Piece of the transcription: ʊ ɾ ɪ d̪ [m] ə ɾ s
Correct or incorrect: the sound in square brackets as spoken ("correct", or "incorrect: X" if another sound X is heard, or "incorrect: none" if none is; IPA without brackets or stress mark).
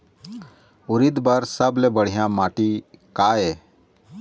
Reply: incorrect: b